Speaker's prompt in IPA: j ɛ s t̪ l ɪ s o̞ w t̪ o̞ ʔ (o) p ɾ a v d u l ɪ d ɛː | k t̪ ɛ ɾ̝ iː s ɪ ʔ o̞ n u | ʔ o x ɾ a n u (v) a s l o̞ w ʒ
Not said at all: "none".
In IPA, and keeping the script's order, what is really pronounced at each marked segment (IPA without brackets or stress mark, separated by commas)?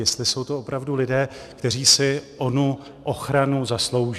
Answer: o, z